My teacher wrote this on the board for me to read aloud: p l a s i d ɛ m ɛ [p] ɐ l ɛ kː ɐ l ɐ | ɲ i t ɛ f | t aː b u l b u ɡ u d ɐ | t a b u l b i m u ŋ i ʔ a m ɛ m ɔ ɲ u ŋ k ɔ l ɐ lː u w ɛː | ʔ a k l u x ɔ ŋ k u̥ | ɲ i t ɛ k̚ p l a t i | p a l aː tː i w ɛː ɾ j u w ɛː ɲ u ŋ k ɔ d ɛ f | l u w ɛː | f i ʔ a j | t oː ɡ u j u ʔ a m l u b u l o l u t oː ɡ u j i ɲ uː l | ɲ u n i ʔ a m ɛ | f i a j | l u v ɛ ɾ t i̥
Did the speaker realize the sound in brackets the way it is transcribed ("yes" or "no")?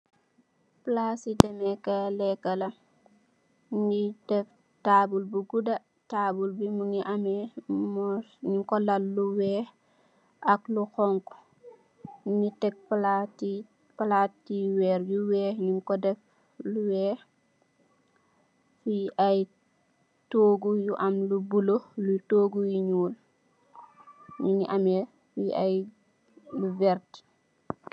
no